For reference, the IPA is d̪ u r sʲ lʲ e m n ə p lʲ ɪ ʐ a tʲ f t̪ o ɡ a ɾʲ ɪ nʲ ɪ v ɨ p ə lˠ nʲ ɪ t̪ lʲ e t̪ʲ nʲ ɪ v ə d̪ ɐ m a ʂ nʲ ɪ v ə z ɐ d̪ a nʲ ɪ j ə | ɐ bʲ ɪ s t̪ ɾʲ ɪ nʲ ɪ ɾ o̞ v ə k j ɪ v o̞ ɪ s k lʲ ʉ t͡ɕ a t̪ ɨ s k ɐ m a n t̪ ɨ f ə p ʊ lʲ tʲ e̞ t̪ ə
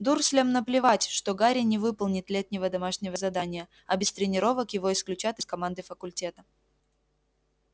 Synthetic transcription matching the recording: d̪ u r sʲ lʲ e m n ə p lʲ ɪ v a tʲ ʂ t̪ o ɡ a ɾʲ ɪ nʲ ɪ v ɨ p ə lˠ nʲ ɪ t̪ lʲ e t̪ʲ nʲ ɪ v ə d̪ ɐ m a ʂ nʲ ɪ v ə z ɐ d̪ a nʲ ɪ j ə | ɐ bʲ ɪ s t̪ ɾʲ ɪ nʲ ɪ ɾ o̞ v ə k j ɪ v o̞ ɪ s k lʲ ʉ t͡ɕ a t̪ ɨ s k ɐ m a n d̪ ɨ f ə k ʊ lʲ tʲ e̞ t̪ ə